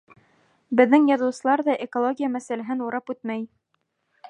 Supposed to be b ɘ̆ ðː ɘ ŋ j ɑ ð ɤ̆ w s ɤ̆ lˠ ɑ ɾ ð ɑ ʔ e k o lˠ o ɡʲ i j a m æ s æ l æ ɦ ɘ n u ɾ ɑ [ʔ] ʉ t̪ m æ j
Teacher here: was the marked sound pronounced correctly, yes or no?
no